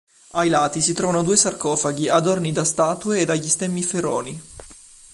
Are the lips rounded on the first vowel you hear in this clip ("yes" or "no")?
no